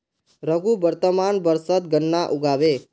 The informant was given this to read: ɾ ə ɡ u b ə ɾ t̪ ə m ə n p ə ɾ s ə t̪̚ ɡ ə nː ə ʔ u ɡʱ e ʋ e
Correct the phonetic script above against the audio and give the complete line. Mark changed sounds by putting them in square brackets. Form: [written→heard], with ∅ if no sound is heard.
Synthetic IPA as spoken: ɾ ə ɡ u b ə ɾ t̪ ə m [ə→a] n [p→b] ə ɾ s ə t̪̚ ɡ ə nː [ə→a] ʔ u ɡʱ [e→a] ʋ e